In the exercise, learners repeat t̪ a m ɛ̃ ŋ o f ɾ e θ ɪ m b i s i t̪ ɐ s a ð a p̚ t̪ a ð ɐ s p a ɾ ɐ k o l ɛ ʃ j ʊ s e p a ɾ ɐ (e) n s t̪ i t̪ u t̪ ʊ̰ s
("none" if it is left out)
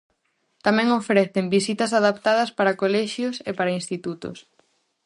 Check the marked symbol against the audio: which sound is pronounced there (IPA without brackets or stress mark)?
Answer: i